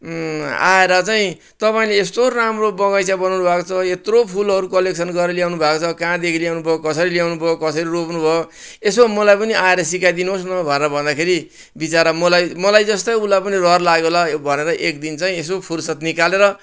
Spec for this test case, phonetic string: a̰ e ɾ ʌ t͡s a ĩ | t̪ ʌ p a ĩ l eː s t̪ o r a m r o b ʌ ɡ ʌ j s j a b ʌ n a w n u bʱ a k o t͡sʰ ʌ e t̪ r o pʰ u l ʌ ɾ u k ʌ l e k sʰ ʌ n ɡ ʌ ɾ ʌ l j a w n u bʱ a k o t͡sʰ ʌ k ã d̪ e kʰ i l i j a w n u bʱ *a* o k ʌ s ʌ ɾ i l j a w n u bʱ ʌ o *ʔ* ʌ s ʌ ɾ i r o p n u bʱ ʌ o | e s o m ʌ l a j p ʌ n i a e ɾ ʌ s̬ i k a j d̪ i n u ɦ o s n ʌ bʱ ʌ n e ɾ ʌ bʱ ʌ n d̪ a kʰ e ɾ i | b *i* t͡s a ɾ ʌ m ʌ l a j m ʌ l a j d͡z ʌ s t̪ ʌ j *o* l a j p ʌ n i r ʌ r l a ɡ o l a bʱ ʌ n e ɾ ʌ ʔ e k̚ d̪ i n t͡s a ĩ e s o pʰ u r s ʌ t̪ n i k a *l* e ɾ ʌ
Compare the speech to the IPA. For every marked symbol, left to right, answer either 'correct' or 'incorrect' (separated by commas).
incorrect, incorrect, correct, incorrect, correct